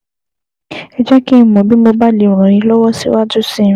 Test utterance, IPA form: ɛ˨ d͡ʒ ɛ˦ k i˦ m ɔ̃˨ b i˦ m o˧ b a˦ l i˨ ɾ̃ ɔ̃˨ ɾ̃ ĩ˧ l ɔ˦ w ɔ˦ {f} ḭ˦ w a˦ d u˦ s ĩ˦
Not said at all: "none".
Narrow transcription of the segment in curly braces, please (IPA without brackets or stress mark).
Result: s